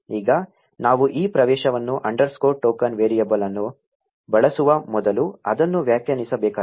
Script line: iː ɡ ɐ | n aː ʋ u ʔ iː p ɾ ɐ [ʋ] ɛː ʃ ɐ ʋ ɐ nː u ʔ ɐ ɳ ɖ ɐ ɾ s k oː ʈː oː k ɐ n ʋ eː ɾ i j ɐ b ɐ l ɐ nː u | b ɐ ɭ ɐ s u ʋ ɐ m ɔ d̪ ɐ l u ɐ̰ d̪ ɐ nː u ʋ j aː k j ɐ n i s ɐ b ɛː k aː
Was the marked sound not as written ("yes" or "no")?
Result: no